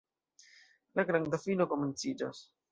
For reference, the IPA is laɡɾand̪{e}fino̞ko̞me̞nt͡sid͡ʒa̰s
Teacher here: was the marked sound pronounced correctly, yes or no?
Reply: no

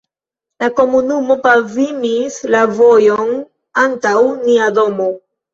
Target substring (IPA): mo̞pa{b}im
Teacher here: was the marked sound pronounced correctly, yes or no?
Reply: no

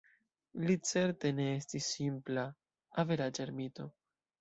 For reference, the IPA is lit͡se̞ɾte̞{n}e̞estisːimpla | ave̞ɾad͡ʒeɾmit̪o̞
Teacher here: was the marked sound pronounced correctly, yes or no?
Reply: yes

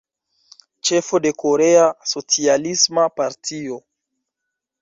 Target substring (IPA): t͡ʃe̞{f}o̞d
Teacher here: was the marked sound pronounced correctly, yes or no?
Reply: yes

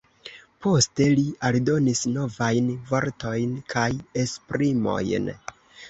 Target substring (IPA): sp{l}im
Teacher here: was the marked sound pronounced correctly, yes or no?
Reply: no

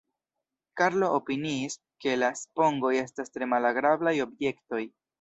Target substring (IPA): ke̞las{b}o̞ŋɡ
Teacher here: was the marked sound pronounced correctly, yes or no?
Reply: no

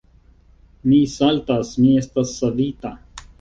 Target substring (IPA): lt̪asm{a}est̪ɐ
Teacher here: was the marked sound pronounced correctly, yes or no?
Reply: no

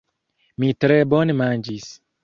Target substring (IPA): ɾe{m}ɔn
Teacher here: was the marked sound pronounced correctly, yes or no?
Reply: no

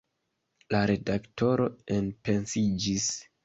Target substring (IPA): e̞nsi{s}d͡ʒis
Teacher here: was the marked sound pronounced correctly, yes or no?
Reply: no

